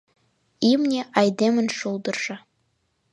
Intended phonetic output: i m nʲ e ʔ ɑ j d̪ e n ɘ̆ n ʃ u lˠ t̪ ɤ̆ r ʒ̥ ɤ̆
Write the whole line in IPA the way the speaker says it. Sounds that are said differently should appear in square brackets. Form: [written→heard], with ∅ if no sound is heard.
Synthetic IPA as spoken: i m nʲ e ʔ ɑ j d̪ e [n→m] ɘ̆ n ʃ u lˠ [t̪→d̪] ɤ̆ r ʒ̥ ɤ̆